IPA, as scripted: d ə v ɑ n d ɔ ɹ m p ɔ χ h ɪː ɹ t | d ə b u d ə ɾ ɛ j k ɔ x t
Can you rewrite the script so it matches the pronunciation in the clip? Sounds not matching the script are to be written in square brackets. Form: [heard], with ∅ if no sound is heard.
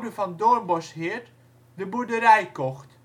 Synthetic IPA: d ə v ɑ n d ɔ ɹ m [b] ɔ [s] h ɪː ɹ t | d ə b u d ə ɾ ɛ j k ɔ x t